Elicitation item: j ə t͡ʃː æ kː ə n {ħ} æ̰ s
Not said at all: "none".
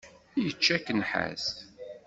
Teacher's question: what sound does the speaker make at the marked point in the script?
ħ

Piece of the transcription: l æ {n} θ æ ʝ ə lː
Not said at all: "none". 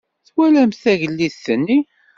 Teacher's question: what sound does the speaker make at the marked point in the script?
m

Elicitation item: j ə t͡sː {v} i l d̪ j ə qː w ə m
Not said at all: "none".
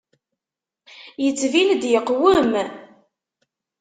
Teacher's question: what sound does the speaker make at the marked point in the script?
v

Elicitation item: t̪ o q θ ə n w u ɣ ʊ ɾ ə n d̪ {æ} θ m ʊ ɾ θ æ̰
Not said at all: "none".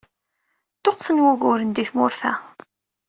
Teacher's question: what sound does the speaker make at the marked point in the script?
i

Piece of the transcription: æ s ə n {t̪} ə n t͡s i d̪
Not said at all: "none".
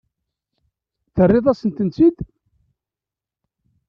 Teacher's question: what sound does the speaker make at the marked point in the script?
t̪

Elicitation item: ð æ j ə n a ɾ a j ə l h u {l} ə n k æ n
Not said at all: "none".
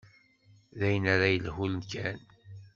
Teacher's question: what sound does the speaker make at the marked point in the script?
l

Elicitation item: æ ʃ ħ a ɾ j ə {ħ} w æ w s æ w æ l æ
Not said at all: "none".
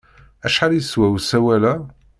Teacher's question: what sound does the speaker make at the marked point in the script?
s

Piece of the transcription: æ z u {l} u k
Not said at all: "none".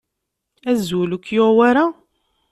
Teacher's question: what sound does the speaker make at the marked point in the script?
l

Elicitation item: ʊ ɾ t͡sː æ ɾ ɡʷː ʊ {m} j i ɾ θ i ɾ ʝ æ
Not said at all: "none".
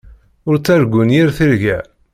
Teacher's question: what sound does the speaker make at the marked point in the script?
n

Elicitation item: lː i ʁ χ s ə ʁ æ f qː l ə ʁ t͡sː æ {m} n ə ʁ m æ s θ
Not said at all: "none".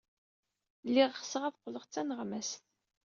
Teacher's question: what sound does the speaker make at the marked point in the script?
none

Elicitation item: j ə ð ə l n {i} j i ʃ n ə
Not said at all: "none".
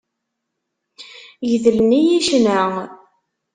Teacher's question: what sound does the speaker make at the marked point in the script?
i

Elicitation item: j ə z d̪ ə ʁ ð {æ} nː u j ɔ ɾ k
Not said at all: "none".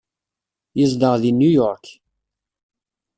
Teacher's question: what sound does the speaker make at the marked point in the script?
i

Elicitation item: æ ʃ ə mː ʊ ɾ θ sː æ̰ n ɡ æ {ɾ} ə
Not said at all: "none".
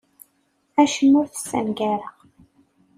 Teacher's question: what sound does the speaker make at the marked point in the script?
ɾ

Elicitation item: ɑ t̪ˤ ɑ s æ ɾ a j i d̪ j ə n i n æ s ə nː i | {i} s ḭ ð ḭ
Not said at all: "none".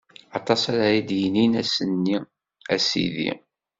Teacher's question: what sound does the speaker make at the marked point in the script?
æ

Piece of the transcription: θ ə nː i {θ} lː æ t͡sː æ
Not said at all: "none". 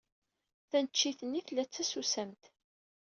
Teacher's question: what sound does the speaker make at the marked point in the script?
θ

